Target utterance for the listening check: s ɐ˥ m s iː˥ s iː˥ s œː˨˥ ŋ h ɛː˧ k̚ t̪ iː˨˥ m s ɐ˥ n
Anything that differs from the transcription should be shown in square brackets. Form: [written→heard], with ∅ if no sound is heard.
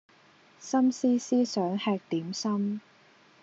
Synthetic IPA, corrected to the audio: s ɐ˥ m s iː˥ s iː˥ s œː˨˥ ŋ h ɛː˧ k̚ t̪ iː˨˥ m s ɐ˥ [n→m]